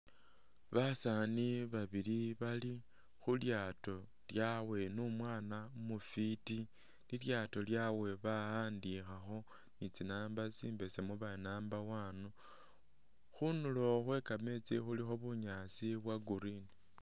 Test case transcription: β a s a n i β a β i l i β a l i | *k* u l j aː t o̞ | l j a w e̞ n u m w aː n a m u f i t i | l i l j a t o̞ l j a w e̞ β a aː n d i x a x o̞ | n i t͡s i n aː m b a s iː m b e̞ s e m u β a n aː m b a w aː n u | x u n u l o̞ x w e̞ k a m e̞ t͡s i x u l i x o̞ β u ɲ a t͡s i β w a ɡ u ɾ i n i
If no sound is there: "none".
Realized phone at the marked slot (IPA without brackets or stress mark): x